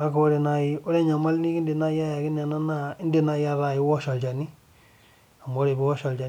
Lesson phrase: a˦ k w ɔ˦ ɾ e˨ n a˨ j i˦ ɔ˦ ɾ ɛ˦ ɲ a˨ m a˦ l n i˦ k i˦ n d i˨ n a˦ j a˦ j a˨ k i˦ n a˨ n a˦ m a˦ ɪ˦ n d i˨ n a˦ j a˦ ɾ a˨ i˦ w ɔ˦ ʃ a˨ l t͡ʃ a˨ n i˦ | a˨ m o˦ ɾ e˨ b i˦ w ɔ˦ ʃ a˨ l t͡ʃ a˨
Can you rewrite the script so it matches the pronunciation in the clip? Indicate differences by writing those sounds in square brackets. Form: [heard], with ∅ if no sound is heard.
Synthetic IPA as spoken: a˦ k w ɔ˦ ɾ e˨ n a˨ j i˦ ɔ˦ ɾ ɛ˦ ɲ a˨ m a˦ l n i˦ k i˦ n d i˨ n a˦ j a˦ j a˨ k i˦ n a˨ n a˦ [n] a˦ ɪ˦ n d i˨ n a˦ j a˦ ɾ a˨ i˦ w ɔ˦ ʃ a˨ l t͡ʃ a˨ n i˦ | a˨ m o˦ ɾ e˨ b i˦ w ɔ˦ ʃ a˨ l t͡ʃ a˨